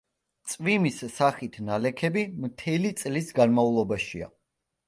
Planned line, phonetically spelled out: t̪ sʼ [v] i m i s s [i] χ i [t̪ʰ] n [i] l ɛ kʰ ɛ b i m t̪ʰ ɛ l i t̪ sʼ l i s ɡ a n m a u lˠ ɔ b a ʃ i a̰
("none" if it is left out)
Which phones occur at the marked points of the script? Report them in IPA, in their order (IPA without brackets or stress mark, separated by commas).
v, a, t̪ʰ, a